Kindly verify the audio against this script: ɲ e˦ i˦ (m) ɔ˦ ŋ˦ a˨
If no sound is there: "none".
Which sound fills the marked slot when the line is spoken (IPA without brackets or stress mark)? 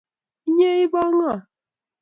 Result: b